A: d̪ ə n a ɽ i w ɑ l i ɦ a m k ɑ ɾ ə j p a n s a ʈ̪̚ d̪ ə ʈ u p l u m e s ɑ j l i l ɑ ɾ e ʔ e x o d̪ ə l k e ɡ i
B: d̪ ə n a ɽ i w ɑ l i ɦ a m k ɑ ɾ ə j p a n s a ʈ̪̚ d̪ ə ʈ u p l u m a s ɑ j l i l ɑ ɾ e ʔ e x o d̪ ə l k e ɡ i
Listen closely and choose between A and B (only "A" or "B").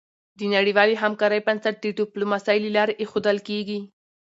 B